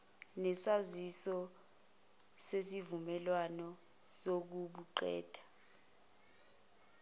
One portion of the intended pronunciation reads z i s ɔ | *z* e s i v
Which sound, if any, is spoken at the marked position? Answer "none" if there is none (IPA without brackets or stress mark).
s